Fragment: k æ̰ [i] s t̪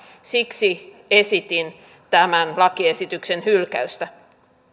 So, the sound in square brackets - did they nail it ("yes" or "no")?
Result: no